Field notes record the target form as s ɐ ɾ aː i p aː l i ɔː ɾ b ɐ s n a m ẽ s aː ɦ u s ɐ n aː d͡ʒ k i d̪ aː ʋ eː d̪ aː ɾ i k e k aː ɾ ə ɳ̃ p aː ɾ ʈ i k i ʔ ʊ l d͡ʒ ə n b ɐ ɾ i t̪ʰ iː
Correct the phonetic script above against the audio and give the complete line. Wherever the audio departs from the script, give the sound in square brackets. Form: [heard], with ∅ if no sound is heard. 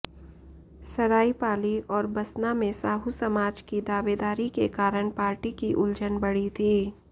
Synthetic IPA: s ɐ ɾ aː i p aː l i ɔː ɾ b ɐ s n a m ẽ s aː ɦ u s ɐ [m] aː d͡ʒ k i d̪ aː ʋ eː d̪ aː ɾ i k e k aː ɾ ə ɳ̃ p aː ɾ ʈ i k i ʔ ʊ l d͡ʒ ə n b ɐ [ɽ] i t̪ʰ iː

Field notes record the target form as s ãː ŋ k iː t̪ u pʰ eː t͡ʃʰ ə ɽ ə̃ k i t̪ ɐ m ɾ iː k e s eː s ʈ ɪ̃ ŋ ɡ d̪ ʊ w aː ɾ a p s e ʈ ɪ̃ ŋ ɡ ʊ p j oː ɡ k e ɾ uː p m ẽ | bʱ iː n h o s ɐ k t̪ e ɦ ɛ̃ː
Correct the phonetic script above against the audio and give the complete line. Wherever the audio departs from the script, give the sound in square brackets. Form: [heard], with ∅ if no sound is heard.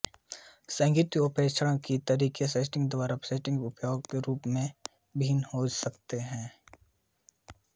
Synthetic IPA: s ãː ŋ [ɡ] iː t̪ [o] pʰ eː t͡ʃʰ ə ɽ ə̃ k i t̪ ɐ [∅] ɾ iː k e s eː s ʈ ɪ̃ ŋ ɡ d̪ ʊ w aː ɾ a p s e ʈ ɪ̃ ŋ ɡ ʊ p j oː ɡ k e ɾ uː p m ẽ | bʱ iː n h o s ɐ k t̪ e ɦ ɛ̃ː

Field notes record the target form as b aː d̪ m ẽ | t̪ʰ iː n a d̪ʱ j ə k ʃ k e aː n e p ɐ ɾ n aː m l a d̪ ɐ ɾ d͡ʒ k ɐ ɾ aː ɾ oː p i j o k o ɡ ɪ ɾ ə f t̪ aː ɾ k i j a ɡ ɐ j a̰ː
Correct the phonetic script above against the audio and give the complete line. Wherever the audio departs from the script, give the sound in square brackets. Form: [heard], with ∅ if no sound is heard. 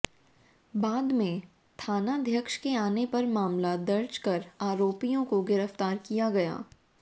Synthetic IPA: b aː d̪ m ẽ | t̪ʰ [aː] n a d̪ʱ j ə k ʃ k e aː n e p ɐ ɾ [m] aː m l a d̪ ɐ ɾ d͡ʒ k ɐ ɾ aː ɾ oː p i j [õ] k o ɡ ɪ ɾ ə f t̪ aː ɾ k i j a ɡ ɐ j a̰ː

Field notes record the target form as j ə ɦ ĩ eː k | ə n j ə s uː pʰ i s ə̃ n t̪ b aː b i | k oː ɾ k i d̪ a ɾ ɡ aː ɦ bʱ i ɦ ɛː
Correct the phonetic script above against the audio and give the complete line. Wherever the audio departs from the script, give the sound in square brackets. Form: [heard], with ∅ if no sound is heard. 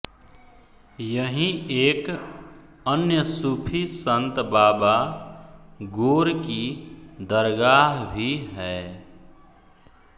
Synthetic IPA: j ə ɦ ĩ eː k | ə n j ə s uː pʰ i s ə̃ n t̪ b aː b [a] | [ɡ] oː ɾ k i d̪ [ə] ɾ ɡ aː ɦ bʱ i ɦ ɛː

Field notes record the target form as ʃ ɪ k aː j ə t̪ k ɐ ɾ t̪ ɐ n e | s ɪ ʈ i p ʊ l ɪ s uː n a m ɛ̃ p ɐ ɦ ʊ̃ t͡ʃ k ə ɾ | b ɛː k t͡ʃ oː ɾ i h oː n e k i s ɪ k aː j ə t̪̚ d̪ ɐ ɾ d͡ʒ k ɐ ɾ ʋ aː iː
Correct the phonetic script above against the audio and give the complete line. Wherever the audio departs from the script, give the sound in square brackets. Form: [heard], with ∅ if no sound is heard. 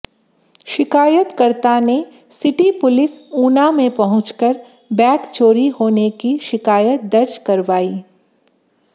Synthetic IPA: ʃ ɪ k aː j ə t̪ k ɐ ɾ t̪ [a] n e | s ɪ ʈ i p ʊ l ɪ s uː n a m [ẽ] p ɐ ɦ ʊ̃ t͡ʃ k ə ɾ | b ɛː k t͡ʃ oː ɾ i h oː n e k i [ʃ] ɪ k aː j ə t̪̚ d̪ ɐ ɾ d͡ʒ k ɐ ɾ ʋ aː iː

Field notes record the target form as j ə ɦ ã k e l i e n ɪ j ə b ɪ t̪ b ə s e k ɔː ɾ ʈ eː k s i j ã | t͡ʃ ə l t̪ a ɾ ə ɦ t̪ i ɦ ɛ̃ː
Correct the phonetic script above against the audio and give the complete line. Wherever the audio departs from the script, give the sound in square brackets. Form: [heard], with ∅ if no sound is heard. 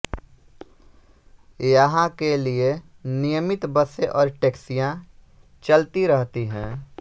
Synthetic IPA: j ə ɦ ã k e l i e n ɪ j ə [m] ɪ t̪ b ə s e [ʔ] ɔː ɾ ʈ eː k s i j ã | t͡ʃ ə l t̪ [i] ɾ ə ɦ t̪ i ɦ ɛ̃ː

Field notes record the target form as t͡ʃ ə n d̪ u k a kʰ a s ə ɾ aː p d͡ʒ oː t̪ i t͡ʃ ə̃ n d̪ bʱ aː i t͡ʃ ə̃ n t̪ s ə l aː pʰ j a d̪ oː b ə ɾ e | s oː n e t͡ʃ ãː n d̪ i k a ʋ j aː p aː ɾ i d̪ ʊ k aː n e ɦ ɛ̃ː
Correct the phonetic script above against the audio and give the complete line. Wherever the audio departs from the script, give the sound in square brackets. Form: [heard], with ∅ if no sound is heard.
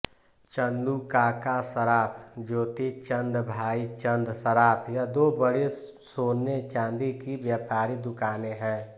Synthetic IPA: t͡ʃ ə n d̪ u k a [k] a s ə ɾ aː p d͡ʒ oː t̪ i t͡ʃ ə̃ n d̪ bʱ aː i t͡ʃ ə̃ n [d̪] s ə [ɾ] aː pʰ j a d̪ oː b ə [ɽ] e | s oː n e t͡ʃ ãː n d̪ i k [i] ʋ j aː p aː ɾ i d̪ ʊ k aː n e ɦ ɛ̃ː

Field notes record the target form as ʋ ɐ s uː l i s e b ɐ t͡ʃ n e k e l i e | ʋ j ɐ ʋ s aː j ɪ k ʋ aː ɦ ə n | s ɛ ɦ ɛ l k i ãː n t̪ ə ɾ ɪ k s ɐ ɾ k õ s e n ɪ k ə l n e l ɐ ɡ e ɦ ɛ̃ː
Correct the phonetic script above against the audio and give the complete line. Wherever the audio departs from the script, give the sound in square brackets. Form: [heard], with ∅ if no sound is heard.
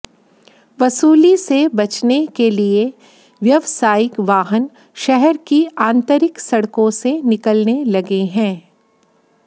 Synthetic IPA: ʋ ɐ s uː l i s e b ɐ t͡ʃ n e k e l i e | ʋ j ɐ ʋ s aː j ɪ k ʋ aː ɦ ə n | [ʃ] ɛ ɦ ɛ [ɾ] k i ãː n t̪ ə ɾ ɪ k s ɐ [ɽ] k õ s e n ɪ k ə l n e l ɐ ɡ e ɦ ɛ̃ː

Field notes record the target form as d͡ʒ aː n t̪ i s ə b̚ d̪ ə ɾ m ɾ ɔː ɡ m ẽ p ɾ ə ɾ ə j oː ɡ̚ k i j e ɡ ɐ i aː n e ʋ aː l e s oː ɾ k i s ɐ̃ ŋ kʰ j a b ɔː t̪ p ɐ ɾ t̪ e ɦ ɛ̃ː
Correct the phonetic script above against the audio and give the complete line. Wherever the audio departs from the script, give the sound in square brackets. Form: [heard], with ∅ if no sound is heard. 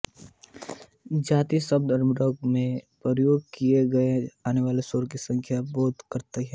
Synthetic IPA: d͡ʒ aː [∅] t̪ i s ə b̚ d̪ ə ɾ m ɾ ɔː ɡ m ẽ p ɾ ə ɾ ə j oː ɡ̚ k i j e ɡ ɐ [e] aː n e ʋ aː l e s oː ɾ k i s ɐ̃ ŋ kʰ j a b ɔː t̪ [k] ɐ ɾ t̪ e ɦ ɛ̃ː

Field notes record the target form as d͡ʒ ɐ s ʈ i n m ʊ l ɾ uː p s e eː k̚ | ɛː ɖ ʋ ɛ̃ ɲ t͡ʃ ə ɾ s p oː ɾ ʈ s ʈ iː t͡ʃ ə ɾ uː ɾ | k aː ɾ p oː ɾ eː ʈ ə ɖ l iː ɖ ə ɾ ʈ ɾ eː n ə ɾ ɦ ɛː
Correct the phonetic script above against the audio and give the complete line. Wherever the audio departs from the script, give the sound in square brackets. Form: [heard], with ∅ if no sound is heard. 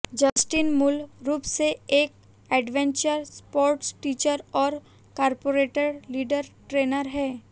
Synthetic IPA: d͡ʒ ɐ s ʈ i n m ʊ l ɾ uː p s e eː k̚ | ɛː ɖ ʋ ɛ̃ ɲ t͡ʃ ə ɾ s p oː ɾ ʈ s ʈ iː t͡ʃ ə ɾ [ɔː] ɾ | k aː ɾ p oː ɾ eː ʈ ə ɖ l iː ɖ ə ɾ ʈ ɾ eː n ə ɾ ɦ ɛː

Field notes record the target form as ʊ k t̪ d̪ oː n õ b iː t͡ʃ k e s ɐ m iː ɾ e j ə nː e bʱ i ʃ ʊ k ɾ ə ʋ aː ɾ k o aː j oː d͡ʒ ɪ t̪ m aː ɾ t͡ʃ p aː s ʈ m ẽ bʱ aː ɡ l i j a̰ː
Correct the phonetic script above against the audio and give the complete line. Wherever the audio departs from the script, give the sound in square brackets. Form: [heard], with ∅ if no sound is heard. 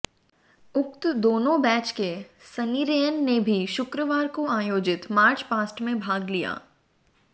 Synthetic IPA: ʊ k t̪ d̪ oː n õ b [ɛː] t͡ʃ k e s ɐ [n] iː ɾ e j ə nː e bʱ i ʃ ʊ k ɾ ə ʋ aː ɾ k o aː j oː d͡ʒ ɪ t̪ m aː ɾ t͡ʃ p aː s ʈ m ẽ bʱ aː ɡ l i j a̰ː

